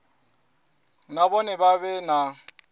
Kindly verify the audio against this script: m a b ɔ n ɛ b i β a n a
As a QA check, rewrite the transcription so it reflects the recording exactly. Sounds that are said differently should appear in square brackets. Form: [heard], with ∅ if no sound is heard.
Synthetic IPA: [n] a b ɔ n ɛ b [a] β [ɛ] n a